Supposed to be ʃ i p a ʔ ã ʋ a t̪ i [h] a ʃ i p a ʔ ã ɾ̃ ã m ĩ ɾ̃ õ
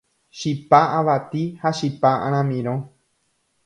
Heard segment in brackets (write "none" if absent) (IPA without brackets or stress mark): h